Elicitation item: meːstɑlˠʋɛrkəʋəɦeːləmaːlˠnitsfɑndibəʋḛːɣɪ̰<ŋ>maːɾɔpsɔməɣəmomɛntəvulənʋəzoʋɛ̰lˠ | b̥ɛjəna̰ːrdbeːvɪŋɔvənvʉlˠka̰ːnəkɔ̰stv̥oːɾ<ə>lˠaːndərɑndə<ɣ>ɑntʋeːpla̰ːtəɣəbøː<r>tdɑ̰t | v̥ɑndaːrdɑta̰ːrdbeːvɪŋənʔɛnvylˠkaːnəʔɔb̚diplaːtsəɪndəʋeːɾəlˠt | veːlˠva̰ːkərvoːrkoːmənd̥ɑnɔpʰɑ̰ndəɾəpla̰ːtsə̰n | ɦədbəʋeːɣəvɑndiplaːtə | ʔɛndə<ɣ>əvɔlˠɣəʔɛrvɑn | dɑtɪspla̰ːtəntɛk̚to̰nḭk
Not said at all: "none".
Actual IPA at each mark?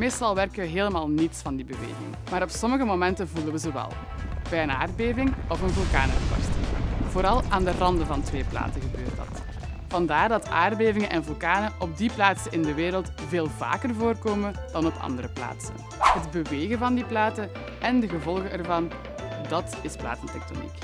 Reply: ŋ, ɑ, v, r, ɣ

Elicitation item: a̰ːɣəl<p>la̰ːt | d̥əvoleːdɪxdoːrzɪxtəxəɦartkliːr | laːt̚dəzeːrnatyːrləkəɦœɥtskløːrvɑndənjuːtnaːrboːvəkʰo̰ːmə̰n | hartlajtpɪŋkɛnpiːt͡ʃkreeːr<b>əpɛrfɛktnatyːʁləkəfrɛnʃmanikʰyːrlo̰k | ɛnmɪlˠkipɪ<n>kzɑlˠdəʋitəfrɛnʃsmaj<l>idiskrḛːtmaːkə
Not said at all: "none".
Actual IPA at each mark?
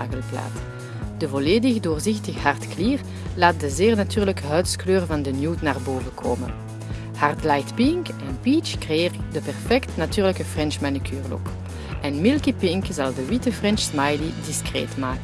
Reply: p, d, ŋ, l

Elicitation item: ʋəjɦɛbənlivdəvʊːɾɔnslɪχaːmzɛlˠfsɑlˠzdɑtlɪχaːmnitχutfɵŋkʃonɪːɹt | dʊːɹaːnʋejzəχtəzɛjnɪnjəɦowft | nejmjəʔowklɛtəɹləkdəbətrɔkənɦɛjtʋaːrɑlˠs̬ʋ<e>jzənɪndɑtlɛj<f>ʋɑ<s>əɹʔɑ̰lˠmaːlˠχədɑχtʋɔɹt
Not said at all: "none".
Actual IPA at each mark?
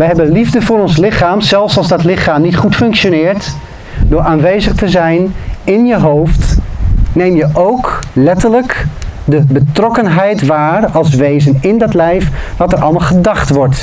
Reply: e, f, t

